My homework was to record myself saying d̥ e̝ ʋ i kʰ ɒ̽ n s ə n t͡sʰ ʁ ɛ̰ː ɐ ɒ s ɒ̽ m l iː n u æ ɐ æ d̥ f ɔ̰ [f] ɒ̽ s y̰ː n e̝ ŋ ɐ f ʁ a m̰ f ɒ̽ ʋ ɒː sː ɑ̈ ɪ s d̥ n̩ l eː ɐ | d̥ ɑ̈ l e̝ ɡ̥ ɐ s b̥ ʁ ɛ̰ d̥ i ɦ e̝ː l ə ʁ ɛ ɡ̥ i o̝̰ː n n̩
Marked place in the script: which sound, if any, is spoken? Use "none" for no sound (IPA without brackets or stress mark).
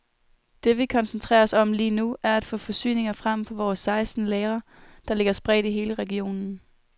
f